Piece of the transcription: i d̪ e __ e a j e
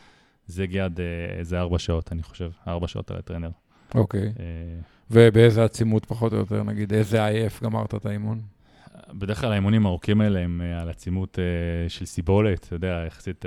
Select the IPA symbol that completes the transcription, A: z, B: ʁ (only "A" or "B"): A